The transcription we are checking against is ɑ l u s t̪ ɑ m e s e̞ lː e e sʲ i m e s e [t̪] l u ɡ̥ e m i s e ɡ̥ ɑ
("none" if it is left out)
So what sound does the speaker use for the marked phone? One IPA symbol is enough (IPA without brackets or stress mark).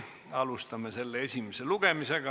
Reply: none